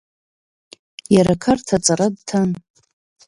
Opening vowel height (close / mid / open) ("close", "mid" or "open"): open